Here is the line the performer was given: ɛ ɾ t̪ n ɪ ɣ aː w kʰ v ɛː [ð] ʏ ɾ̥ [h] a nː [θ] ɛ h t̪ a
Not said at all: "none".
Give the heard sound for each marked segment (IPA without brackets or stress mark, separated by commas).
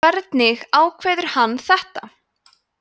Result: ð, h, θ